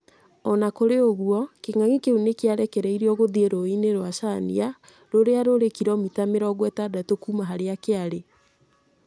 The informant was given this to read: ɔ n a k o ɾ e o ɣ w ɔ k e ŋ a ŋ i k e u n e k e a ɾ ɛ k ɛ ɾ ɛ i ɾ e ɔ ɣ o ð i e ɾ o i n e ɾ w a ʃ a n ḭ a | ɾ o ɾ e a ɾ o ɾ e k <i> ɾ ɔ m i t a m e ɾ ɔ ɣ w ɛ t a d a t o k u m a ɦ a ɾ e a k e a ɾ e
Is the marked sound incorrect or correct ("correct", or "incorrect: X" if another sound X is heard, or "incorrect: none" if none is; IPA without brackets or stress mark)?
correct